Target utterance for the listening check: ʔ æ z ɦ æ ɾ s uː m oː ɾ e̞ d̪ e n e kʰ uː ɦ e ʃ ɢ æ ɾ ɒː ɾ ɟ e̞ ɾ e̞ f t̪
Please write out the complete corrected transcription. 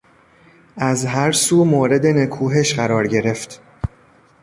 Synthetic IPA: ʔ æ z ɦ æ ɾ s uː m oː ɾ e̞ d̪ e n e kʰ uː ɦ e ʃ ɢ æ ɾ ɒː ɾ ɟ e̞ ɾ e̞ f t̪